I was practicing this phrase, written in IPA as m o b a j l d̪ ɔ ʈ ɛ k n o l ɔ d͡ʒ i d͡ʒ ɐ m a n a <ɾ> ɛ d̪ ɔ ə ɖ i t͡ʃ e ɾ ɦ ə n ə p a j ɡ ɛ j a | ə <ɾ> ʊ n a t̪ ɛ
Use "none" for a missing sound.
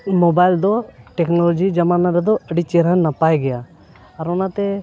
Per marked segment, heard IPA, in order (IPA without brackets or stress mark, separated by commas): ɾ, ɾ